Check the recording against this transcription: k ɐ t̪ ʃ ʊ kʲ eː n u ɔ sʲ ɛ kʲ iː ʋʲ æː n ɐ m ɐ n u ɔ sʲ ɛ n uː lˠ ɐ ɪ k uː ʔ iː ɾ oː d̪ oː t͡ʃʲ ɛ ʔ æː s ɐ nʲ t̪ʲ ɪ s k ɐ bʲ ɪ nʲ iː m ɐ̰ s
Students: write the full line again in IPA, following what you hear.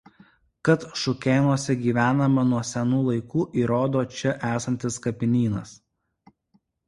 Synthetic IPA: k ɐ t̪ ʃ ʊ kʲ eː n u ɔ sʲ ɛ ɡʲ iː ʋʲ æː n ɐ m ɐ n u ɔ sʲ ɛ n uː lˠ ɐ ɪ k uː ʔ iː ɾ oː d̪ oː t͡ʃʲ ɛ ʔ æː s ɐ nʲ t̪ʲ ɪ s k ɐ pʲ ɪ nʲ iː n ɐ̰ s

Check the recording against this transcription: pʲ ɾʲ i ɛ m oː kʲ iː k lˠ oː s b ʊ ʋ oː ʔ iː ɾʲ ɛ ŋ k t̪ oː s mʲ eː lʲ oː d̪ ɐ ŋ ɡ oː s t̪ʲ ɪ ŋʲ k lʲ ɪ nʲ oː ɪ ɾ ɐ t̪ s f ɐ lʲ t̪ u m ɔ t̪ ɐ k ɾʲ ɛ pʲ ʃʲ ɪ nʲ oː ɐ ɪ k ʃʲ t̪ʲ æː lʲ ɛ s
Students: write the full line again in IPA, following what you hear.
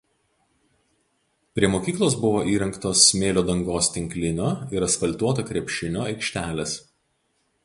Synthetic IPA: pʲ ɾʲ i ɛ m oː kʲ iː k lˠ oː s b ʊ ʋ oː ʔ iː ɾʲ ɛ ŋ k t̪ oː s mʲ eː lʲ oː d̪ ɐ ŋ ɡ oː s t̪ʲ ɪ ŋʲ k lʲ ɪ nʲ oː ɪ ɾ ɐ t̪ s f ɐ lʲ t̪ u ɔ t̪ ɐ k ɾʲ ɛ pʲ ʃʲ ɪ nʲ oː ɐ ɪ k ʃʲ t̪ʲ æː lʲ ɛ s

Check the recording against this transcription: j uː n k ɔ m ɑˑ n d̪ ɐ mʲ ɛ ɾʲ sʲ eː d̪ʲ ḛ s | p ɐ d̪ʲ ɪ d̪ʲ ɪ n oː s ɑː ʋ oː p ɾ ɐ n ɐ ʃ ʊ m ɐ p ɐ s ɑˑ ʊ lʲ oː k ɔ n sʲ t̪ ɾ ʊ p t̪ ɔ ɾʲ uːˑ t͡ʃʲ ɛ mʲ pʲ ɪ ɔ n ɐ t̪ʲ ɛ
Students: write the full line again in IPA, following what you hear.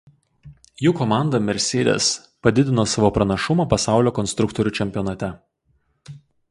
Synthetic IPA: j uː k ɔ m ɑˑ n d̪ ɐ mʲ ɛ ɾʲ sʲ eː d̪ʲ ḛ s | p ɐ d̪ʲ ɪ d̪ʲ ɪ n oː s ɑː ʋ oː p ɾ ɐ n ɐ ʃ ʊ m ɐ p ɐ s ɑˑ ʊ lʲ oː k ɔ n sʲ t̪ ɾ ʊ k t̪ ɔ ɾʲ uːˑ t͡ʃʲ ɛ mʲ pʲ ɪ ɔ n ɐ t̪ʲ ɛ

